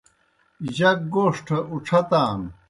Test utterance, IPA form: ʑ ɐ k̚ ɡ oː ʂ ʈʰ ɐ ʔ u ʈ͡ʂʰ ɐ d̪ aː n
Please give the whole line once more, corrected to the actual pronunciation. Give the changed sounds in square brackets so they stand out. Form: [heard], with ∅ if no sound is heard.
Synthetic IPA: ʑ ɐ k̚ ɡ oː ʂ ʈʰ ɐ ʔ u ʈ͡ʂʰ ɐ [t̪] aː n